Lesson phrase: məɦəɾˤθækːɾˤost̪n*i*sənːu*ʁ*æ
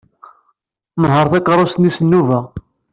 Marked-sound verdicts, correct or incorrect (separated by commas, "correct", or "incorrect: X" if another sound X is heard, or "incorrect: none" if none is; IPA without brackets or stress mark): correct, incorrect: v